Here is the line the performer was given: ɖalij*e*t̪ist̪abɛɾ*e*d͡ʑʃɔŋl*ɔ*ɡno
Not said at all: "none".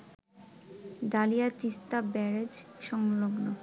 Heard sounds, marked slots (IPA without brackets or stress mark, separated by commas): a, e, o